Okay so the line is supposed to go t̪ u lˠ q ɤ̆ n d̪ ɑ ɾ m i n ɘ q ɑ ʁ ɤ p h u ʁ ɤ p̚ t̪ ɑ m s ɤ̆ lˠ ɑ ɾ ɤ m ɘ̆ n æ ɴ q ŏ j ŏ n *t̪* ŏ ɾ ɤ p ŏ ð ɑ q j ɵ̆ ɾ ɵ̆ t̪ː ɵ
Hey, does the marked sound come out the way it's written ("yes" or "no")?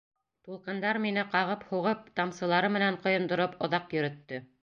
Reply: no